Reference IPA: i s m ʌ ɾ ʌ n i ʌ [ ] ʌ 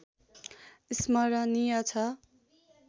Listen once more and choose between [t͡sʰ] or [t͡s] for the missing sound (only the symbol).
t͡sʰ